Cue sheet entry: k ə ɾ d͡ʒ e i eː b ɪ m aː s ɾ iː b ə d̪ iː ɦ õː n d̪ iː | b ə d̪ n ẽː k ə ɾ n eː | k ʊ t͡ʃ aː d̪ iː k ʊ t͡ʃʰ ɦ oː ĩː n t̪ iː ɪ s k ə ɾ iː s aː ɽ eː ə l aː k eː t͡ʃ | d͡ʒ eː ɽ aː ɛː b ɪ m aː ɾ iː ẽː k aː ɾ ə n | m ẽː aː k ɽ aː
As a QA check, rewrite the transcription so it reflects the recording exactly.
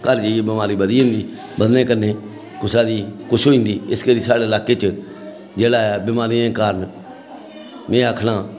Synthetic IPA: k ə ɾ d͡ʒ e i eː b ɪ m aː ɾ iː b ə d̪ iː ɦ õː n d̪ iː | b ə d̪ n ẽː k ə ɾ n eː | k ʊ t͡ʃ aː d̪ iː k ʊ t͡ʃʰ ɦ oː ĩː n d̪ iː ɪ s k ə ɾ iː s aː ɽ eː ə l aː k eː t͡ʃ | d͡ʒ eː ɽ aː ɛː b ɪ m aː ɾ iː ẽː k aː ɾ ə n | m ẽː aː kʰ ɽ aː